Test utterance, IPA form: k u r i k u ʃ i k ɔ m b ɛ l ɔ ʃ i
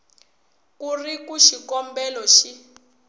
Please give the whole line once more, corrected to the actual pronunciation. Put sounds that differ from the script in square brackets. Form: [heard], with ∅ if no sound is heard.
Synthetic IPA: k u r i k u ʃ i k ɔ m b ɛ l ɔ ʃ i